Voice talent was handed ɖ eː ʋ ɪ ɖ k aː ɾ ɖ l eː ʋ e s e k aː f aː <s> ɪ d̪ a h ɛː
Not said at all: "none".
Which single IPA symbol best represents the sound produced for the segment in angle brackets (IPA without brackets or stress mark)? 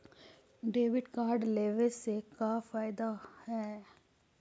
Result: none